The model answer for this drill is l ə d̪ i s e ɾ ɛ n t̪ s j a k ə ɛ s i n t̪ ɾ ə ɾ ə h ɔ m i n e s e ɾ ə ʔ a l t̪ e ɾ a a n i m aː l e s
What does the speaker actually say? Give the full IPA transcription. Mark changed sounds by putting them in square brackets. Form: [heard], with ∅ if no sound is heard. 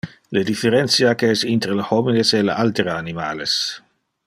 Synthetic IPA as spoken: l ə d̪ i [f] e ɾ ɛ n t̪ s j a k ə ɛ s i n t̪ ɾ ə [l] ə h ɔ m i n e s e [l] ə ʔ a l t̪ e ɾ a a n i m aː l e s